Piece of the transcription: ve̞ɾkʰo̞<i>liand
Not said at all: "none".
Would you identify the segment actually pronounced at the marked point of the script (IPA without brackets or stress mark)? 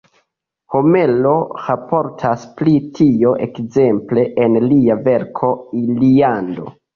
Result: i